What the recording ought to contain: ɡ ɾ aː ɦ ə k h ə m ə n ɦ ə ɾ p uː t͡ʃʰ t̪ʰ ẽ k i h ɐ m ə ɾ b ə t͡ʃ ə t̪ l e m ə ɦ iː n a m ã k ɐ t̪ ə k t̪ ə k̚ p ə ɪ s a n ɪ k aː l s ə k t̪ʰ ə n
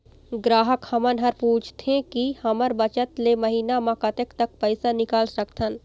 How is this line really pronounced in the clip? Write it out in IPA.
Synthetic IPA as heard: ɡ ɾ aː ɦ ə k h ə m ə n ɦ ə ɾ p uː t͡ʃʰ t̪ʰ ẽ k i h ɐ m ə ɾ b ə t͡ʃ ə t̪ l e m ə ɦ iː n a m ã k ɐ t̪ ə k t̪ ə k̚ p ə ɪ s a n ɪ k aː l s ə k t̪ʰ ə n